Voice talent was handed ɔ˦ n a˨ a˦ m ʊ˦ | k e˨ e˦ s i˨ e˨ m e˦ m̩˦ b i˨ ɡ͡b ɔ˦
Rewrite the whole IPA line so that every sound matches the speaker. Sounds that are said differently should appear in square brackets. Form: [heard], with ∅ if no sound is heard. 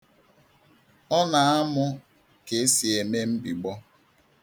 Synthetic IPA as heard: ɔ˦ n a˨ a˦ m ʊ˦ | k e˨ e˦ s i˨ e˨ m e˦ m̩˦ b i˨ ɡ͡b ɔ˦